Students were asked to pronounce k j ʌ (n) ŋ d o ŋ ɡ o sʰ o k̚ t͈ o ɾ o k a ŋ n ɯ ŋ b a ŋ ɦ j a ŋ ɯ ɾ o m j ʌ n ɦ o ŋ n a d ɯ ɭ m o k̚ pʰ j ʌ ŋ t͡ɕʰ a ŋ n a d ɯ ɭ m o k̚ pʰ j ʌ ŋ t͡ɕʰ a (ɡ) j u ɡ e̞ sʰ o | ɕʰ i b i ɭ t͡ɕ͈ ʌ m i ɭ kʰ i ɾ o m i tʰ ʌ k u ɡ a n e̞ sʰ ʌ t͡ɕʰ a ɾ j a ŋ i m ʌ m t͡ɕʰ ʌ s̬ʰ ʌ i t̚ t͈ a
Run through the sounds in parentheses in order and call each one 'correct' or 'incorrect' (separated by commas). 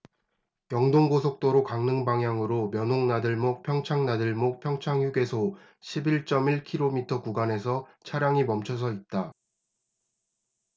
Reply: incorrect, incorrect